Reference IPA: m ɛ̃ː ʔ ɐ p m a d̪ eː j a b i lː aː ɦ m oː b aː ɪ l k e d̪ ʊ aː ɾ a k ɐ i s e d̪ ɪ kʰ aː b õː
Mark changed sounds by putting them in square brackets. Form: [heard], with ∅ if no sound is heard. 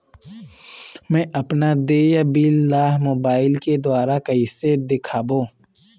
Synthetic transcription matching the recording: m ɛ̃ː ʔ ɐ p [n] a d̪ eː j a b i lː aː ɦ m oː b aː ɪ l k e d̪ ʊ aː ɾ a k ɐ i s e d̪ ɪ kʰ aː b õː